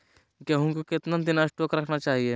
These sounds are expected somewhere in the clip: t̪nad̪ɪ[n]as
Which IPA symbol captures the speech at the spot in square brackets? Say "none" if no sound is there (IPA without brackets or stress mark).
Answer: n